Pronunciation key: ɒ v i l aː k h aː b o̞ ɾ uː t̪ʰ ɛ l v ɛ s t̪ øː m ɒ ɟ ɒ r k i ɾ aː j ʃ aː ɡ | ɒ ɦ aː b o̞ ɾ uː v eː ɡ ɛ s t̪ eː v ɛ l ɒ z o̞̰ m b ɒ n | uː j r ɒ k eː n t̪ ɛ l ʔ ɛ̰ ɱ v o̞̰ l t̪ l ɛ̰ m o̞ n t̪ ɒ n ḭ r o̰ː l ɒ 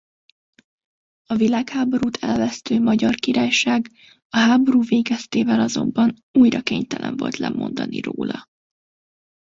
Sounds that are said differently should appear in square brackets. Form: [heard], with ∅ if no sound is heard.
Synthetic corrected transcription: ɒ v i l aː k h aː b o̞ ɾ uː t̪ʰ ɛ l v ɛ s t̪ øː m ɒ ɟ ɒ r k i ɾ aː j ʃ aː ɡ | ɒ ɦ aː b o̞ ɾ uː v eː ɡ ɛ s t̪ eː v ɛ l ɒ z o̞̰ m b ɒ n | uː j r ɒ k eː [ɲ] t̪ ɛ l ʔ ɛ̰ ɱ v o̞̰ l t̪ l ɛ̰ m o̞ n [d̪] ɒ n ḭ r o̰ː l ɒ